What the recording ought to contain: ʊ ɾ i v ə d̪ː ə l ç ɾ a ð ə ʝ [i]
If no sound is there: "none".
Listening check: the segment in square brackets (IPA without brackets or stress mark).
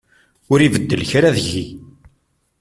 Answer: i